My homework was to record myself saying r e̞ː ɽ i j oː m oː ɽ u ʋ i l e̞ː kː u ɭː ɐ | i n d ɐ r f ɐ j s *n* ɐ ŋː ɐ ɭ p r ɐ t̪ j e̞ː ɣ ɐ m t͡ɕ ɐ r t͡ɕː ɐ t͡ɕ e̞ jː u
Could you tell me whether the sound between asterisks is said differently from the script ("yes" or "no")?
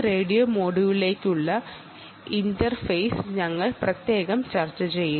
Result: yes